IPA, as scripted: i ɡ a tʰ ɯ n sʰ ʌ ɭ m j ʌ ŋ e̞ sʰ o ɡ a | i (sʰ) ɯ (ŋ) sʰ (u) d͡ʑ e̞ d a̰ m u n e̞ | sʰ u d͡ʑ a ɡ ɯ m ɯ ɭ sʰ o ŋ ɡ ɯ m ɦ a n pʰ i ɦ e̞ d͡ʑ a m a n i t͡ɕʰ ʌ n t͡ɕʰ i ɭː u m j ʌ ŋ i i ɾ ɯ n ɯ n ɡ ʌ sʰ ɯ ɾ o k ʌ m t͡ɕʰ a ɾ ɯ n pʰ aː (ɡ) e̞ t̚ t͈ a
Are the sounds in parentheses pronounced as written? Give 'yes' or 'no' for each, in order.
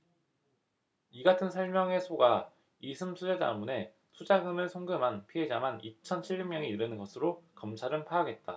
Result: yes, no, yes, yes

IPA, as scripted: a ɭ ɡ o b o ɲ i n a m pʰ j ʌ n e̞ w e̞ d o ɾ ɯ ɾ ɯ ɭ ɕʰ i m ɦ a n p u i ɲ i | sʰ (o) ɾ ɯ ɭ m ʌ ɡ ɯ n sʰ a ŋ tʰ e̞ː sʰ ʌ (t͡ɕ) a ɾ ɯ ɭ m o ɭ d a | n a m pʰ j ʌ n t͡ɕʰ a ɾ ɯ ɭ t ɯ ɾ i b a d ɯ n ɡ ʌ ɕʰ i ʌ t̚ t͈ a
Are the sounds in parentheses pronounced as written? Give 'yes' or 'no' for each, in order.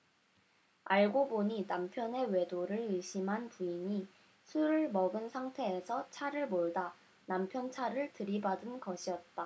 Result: no, no

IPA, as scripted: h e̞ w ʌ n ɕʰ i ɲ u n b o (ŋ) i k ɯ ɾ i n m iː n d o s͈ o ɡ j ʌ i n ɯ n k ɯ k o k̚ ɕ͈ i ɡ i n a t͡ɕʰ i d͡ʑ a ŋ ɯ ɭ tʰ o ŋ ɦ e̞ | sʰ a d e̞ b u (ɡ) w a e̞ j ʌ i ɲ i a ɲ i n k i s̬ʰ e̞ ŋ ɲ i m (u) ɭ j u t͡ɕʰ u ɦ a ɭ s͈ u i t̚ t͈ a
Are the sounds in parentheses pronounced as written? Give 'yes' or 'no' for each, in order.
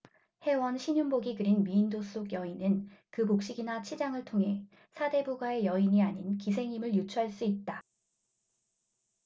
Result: no, yes, no

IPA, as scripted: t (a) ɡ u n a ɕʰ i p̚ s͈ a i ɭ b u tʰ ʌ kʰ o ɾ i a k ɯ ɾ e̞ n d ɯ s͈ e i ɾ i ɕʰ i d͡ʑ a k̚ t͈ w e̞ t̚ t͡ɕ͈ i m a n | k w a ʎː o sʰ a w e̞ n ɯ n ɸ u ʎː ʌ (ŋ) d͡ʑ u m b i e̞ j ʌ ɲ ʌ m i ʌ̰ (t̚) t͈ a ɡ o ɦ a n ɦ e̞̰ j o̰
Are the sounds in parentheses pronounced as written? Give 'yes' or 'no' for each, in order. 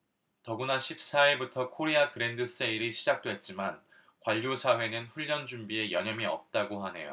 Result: no, no, no

